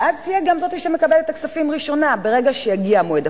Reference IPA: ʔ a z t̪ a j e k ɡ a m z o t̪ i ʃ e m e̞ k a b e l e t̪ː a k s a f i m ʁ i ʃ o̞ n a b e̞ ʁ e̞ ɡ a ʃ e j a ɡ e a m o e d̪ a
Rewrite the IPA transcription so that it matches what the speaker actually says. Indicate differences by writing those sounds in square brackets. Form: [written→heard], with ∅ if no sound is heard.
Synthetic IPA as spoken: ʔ a z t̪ [a→i] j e [k→∅] ɡ a m z o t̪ i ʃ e m e̞ k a b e l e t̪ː a k s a f i m ʁ i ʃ o̞ n a b e̞ ʁ e̞ ɡ a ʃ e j a ɡ [e→i] a m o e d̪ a

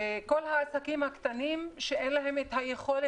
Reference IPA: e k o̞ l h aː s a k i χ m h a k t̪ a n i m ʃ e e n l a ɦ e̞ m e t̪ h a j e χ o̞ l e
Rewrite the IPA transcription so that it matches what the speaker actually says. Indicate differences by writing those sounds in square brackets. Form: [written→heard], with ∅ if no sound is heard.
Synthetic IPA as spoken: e k o̞ l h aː s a k i [χ→∅] m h a k t̪ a n i m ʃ e e n l a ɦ e̞ m e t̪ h a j e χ o̞ l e

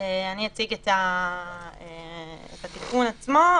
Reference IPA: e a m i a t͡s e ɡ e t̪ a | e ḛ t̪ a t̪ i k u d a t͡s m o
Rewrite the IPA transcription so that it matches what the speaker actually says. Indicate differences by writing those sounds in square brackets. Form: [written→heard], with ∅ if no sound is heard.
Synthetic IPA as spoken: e a [m→n] i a t͡s [e→i] ɡ e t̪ a | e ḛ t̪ a t̪ i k u [d→n] a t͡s m o

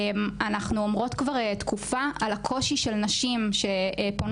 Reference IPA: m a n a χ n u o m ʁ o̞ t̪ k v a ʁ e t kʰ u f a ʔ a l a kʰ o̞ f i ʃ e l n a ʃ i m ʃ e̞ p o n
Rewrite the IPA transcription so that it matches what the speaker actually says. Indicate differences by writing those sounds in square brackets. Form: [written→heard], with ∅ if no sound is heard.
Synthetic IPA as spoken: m a n a χ n u o m ʁ o̞ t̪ k v a ʁ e t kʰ u f a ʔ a l a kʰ o̞ [f→ʃ] i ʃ e l n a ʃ i m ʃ e̞ p o n

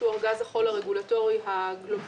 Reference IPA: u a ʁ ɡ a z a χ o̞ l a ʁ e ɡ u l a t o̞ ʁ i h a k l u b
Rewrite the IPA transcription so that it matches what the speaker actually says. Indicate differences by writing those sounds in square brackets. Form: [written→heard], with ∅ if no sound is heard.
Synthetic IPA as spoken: u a ʁ ɡ a z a χ o̞ l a ʁ e ɡ u l a t o̞ ʁ i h a [k→ɡ] l [u→o] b

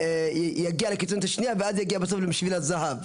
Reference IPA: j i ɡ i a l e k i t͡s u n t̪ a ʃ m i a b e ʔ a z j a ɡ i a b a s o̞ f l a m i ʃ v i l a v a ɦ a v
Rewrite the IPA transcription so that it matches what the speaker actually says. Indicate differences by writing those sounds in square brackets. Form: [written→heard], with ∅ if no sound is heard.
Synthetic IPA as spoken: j [i→a] ɡ i a l e k i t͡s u n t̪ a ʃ [m→n] i a [b→v] e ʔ a z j a ɡ i a b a s o̞ f l [a→e] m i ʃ v i l a [v→z] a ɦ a v

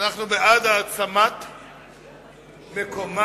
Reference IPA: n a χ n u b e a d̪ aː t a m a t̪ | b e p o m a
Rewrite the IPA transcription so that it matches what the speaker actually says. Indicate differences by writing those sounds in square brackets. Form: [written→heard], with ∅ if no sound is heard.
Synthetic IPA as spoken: n a χ n u b e a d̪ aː [t→t͡s] a m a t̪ | [b→m] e [p→k] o m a

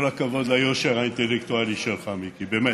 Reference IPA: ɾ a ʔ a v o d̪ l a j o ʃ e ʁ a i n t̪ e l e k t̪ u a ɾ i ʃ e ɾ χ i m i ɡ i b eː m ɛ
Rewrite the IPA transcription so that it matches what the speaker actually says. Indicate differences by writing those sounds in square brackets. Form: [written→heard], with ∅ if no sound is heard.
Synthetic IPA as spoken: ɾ a [ʔ→k] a v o d̪ l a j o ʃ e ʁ a i n t̪ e l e k t̪ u a [ɾ→l] i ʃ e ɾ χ [i→a] m i [ɡ→k] i b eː m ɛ

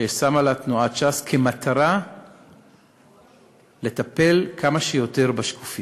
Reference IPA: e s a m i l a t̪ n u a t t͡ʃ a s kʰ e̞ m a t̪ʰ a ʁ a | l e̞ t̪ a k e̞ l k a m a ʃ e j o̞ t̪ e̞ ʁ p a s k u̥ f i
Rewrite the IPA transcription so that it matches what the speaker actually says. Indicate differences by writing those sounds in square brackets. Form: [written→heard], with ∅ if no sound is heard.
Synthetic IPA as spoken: e s a m [i→a] l a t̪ n u a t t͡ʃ a s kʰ e̞ m a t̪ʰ a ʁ a | l e̞ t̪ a [k→p] e̞ l k a m a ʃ e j o̞ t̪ e̞ ʁ [p→b] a [s→ʃ] k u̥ f i

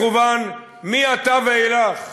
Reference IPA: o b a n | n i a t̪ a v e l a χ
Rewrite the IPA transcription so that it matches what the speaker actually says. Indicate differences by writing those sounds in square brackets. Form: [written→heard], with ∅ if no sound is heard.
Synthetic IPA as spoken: [o→u] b a n | [n→m] i a t̪ a v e l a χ

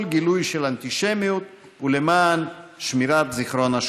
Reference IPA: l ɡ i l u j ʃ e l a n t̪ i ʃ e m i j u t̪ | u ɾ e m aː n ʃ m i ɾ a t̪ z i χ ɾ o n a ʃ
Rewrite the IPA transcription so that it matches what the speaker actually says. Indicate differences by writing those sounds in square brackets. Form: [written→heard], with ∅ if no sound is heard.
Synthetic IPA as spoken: l ɡ i l u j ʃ e l a n t̪ i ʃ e m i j u t̪ | u [ɾ→l] e m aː n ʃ m i ɾ a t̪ z i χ ɾ o n a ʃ

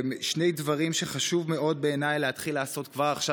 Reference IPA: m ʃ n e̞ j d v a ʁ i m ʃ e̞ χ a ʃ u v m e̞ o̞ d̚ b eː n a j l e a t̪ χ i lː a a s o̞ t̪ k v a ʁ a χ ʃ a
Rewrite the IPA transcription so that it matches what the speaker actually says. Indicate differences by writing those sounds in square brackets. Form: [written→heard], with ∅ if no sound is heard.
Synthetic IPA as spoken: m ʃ n e̞ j d v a ʁ i m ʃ e̞ χ a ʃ u v m e̞ o̞ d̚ b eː n a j l e a t̪ χ i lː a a s o̞ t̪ k v a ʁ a χ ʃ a

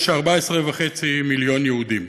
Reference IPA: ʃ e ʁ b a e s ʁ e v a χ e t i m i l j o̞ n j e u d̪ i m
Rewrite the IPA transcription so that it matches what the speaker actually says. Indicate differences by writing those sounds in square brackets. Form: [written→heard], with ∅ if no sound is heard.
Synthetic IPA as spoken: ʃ [e→a] ʁ b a e s ʁ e v a χ e [t→t͡s] i m i l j o̞ n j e u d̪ i m

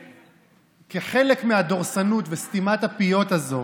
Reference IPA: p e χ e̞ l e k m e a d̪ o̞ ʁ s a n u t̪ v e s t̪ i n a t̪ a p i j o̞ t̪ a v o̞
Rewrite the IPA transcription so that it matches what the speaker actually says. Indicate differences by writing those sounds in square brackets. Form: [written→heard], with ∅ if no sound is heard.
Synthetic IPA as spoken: [p→k] e χ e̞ l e k m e a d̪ o̞ ʁ s a n u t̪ v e s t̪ i [n→m] a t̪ a p i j o̞ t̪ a [v→z] o̞

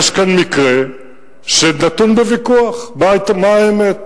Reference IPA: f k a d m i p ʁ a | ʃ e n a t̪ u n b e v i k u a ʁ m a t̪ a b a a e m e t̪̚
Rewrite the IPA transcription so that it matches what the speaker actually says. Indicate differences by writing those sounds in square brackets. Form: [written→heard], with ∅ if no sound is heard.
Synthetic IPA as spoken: [f→ʃ] k a [d→n] m i [p→k] ʁ [a→e] | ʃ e n a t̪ u n b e v i k u a [ʁ→χ] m a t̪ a [b→m] a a e m e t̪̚

